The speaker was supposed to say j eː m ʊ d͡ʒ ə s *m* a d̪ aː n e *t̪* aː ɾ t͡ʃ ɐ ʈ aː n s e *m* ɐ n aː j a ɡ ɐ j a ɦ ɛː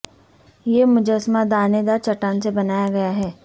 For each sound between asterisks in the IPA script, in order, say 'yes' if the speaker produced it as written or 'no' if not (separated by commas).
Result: yes, no, no